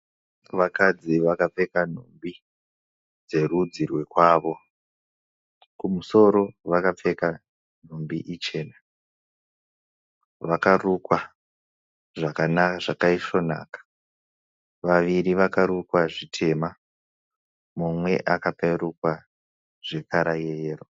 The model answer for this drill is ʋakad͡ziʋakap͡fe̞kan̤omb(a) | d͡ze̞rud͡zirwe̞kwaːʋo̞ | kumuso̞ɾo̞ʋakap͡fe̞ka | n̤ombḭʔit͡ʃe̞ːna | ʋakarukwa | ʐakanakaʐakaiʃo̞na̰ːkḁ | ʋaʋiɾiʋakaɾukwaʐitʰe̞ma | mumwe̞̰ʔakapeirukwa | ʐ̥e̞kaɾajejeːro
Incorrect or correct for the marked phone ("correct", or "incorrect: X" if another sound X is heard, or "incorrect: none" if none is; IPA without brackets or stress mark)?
incorrect: i